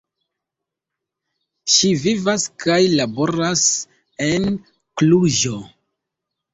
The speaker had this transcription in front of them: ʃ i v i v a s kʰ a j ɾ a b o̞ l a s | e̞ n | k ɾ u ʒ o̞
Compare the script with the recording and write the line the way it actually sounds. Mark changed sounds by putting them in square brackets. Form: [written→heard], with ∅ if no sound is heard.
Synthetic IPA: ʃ i v i v a s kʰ a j [ɾ→l] a b o̞ [l→ɾ] a s | e̞ n | k [ɾ→l] u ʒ o̞